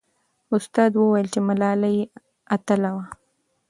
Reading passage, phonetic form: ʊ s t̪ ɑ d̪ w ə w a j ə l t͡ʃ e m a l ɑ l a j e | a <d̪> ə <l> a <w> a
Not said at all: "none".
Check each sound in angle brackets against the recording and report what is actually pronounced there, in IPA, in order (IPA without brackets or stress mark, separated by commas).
t̪, l, w